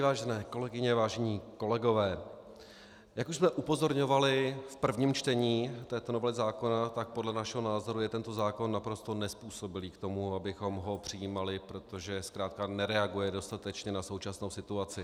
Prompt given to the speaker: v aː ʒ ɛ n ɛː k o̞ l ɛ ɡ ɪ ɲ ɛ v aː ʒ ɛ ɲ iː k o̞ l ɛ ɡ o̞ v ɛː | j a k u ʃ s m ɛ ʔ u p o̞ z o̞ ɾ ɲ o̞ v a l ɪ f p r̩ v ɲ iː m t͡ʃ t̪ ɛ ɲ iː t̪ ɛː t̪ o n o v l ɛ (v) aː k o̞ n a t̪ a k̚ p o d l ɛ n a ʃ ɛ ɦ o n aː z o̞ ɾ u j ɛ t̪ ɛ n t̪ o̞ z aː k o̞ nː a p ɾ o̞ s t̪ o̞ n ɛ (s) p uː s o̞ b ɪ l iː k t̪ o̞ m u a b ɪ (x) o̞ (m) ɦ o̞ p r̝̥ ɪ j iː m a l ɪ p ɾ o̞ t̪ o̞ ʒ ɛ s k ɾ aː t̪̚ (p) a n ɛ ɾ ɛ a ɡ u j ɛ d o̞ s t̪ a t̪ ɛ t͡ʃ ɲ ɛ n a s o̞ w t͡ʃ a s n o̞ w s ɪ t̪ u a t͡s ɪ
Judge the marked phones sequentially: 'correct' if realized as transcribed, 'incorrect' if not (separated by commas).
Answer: incorrect, correct, correct, correct, incorrect